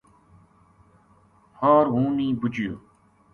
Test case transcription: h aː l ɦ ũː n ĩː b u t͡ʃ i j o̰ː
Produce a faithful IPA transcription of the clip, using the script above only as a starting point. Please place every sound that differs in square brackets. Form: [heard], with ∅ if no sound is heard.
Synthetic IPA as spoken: h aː [ɾ] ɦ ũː n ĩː b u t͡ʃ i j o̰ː